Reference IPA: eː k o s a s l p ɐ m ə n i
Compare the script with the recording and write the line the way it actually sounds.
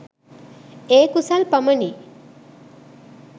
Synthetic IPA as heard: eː k u s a l p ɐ m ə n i